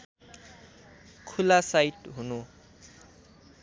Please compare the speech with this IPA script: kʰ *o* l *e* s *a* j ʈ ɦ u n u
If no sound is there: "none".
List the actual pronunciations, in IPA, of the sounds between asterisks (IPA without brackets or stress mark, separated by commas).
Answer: u, a, a